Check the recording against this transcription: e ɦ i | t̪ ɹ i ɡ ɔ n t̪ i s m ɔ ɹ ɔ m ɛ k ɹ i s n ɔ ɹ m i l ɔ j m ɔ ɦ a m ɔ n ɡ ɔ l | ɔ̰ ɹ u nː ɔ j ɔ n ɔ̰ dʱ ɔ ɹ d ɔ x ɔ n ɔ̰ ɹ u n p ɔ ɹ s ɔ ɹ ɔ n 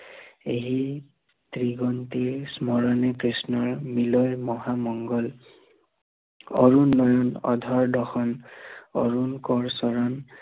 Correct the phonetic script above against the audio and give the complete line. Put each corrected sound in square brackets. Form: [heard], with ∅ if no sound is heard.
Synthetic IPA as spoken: e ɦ i | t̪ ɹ i ɡ ɔ n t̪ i s m ɔ ɹ ɔ [n] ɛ k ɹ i s n ɔ ɹ m i l ɔ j m ɔ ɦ a m ɔ [ŋ] ɡ ɔ l | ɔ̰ ɹ u nː ɔ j ɔ n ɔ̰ dʱ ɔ ɹ d ɔ x ɔ n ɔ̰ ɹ u n [k] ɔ ɹ s ɔ ɹ ɔ n